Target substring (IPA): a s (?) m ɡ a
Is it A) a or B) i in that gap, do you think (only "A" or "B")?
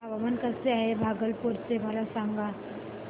A